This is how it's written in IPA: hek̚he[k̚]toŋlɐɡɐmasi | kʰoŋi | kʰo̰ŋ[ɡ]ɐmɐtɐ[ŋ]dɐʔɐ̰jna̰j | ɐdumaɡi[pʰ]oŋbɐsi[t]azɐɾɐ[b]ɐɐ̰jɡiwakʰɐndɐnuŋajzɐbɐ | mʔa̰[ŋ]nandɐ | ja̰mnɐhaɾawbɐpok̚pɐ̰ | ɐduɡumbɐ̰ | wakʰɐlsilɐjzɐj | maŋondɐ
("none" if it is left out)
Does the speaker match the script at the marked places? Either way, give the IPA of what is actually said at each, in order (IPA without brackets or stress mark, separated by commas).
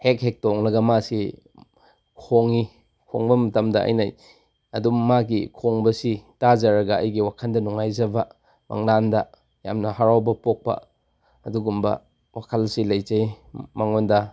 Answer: k̚, b, m, kʰ, t, ɡ, ŋ